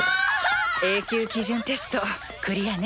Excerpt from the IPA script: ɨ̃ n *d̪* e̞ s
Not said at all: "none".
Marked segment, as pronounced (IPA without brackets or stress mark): t̪